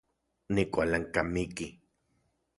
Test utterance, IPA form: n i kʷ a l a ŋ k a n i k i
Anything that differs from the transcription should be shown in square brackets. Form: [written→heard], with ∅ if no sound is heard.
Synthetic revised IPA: n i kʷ a l a ŋ k a [n→m] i k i